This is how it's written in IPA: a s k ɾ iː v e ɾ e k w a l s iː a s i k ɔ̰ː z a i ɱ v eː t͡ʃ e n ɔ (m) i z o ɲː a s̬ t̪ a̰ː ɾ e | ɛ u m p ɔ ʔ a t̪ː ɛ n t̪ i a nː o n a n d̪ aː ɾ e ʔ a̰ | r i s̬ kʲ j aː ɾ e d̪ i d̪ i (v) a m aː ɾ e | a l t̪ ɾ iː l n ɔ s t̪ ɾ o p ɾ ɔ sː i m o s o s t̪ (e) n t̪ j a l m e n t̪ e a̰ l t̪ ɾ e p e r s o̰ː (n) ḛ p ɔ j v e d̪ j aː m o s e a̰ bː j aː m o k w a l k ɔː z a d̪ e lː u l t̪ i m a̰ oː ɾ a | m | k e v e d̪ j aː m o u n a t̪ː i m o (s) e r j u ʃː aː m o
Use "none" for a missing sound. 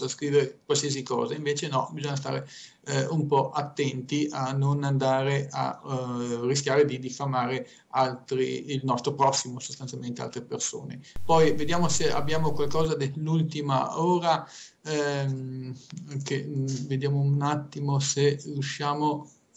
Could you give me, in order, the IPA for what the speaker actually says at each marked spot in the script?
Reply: b, f, a, n, s

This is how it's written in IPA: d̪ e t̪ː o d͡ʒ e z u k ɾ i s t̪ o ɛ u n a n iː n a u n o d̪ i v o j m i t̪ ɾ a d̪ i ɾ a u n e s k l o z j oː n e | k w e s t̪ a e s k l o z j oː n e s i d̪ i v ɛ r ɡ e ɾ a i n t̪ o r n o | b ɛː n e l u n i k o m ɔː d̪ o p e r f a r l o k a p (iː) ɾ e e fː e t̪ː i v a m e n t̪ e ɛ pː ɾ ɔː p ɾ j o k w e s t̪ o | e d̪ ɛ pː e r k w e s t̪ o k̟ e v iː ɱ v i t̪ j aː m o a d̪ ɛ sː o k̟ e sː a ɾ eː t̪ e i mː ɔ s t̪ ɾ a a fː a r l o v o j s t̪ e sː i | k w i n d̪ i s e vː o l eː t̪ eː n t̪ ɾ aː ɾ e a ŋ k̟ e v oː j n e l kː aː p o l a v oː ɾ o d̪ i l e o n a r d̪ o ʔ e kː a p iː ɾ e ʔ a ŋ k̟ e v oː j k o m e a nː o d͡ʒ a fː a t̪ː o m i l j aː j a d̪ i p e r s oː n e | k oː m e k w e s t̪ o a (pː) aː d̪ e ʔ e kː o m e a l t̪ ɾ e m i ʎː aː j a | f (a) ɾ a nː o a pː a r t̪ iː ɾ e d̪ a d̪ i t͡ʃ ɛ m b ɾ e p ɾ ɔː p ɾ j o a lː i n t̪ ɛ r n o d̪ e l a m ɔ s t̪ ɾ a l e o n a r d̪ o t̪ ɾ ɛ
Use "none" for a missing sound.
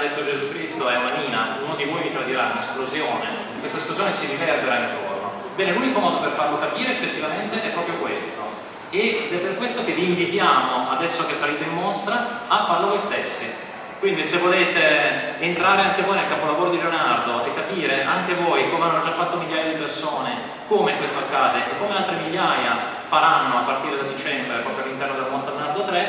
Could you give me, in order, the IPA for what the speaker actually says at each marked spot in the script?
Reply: iː, kː, a

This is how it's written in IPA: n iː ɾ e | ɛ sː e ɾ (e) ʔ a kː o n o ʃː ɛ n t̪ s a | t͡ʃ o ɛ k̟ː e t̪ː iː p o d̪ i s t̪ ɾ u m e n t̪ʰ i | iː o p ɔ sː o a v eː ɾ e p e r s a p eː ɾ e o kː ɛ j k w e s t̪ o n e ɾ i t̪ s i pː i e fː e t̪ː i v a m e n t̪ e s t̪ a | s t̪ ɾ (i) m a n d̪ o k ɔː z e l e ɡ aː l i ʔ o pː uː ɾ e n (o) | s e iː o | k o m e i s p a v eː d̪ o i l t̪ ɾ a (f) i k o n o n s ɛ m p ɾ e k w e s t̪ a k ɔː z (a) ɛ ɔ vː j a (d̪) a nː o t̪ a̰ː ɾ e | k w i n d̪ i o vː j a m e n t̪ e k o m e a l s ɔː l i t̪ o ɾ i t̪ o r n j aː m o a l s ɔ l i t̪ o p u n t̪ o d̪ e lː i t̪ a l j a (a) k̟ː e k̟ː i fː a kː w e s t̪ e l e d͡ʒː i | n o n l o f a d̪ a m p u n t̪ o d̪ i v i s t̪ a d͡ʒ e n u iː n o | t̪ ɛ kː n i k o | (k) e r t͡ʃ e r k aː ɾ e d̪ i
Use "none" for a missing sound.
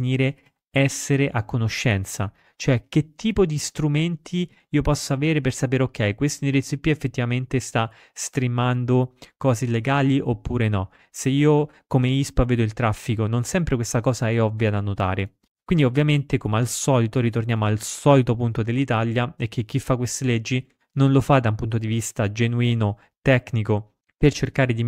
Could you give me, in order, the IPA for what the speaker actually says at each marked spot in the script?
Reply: e, i, ɔ, fː, a, d̪, ɛ, p

